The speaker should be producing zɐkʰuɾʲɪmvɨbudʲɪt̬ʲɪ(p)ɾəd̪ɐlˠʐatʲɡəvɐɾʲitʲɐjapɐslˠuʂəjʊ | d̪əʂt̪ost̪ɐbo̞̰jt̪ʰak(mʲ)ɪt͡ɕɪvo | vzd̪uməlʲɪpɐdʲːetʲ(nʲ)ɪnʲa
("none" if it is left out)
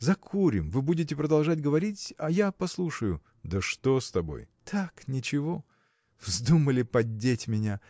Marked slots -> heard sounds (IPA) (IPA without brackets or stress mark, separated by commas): p, nʲ, mʲ